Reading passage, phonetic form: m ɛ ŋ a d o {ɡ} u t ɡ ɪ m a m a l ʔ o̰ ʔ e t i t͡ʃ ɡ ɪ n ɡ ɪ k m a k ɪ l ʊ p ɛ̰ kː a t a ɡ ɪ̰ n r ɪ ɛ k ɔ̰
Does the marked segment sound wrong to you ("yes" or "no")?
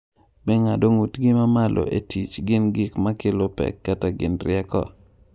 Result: yes